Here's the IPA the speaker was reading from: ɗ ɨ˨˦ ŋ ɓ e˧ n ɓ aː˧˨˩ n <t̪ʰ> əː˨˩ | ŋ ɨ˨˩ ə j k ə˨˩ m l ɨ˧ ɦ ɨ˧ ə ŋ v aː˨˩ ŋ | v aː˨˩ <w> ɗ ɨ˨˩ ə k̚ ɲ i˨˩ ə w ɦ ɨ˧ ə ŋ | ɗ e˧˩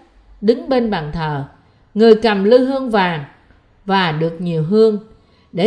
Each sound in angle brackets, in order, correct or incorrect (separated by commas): correct, incorrect